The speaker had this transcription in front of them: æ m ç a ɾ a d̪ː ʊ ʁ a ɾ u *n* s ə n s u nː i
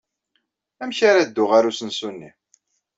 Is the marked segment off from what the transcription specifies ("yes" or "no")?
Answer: yes